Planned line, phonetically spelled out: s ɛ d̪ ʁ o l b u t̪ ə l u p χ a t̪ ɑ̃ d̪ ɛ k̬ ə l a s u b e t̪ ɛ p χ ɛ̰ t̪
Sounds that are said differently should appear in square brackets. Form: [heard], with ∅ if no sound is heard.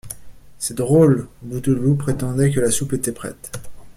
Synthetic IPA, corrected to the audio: s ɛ d̪ ʁ o l b u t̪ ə l u p χ [e] t̪ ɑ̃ d̪ ɛ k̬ ə l a s u [p] e t̪ ɛ p χ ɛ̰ t̪